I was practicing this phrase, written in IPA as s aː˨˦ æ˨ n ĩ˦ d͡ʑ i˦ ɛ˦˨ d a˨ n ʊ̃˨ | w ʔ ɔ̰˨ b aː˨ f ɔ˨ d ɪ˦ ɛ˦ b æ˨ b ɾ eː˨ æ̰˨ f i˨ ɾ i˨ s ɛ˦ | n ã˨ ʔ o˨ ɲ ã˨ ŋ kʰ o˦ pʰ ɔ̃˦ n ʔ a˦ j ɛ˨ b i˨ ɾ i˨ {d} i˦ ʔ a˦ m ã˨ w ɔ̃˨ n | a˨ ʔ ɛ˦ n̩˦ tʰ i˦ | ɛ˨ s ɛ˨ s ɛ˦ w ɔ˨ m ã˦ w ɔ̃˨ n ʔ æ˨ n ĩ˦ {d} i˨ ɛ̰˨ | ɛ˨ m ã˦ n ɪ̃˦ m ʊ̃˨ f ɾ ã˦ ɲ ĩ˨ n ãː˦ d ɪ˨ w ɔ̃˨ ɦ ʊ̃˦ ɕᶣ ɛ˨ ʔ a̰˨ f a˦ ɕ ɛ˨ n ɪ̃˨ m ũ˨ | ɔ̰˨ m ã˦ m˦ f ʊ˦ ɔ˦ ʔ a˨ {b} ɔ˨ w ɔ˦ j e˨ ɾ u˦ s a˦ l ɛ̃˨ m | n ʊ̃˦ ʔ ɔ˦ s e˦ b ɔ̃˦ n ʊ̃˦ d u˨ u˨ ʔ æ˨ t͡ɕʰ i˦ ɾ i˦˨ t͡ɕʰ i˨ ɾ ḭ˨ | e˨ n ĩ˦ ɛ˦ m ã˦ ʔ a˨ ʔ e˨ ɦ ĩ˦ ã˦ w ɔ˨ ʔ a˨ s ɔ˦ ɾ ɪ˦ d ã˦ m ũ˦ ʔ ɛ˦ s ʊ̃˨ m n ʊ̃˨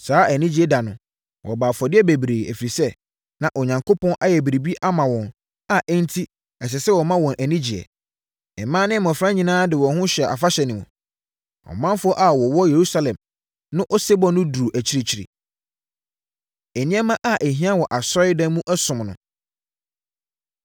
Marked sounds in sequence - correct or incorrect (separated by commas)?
incorrect, incorrect, incorrect